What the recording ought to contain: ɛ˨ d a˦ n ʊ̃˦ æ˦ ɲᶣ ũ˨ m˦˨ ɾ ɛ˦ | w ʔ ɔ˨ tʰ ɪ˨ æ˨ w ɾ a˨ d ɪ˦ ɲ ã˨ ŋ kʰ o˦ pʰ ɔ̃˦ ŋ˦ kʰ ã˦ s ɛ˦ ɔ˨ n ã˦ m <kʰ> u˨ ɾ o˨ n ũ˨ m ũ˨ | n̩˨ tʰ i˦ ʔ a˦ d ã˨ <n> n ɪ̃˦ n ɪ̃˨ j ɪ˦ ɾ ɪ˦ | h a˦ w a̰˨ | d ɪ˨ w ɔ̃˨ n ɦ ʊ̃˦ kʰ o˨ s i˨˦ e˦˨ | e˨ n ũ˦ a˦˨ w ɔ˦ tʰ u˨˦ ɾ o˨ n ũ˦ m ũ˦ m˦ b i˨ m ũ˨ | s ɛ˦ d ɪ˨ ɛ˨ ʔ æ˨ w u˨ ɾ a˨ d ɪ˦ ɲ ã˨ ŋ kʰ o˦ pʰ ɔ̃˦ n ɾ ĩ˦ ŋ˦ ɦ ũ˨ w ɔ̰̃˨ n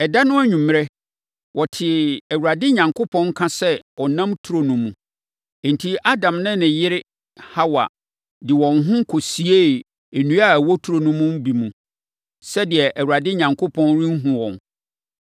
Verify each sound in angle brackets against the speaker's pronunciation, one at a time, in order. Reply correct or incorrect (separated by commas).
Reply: incorrect, incorrect